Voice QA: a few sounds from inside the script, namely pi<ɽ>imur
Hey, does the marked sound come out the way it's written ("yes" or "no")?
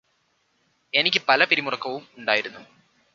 no